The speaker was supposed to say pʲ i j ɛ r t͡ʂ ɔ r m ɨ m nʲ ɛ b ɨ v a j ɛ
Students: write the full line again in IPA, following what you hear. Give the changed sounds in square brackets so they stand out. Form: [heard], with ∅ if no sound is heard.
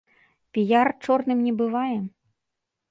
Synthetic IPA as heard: pʲ i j [a] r t͡ʂ ɔ r [n] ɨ m nʲ ɛ b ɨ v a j ɛ